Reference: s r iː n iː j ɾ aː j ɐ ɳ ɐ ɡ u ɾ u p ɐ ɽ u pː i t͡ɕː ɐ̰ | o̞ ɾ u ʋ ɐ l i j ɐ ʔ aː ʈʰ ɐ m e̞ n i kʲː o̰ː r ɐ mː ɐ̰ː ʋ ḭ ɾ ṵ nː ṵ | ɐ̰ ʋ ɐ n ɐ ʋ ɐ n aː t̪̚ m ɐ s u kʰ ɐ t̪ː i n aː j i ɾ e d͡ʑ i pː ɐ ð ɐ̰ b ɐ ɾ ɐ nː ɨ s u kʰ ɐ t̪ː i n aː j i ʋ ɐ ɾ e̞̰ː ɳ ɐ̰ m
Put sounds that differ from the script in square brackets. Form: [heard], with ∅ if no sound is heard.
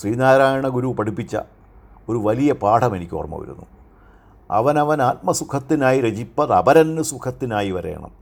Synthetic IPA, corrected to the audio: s r iː n [aː] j ɾ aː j ɐ ɳ ɐ ɡ u ɾ u p ɐ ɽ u pː i t͡ɕː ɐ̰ | o̞ ɾ u ʋ ɐ l i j ɐ [p] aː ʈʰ ɐ m e̞ n i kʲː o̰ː r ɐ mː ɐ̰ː ʋ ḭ ɾ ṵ nː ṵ | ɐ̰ ʋ ɐ n ɐ ʋ ɐ n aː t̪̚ m ɐ s u kʰ ɐ t̪ː i n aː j i ɾ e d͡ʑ i pː ɐ ð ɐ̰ b ɐ ɾ ɐ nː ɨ s u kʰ ɐ t̪ː i n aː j i ʋ ɐ ɾ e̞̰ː ɳ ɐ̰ m